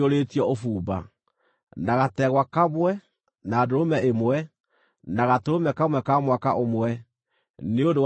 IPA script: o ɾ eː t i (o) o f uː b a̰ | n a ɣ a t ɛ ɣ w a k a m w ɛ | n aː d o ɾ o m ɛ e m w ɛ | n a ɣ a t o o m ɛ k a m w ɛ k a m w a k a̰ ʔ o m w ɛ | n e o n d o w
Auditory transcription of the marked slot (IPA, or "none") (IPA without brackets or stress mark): ɔ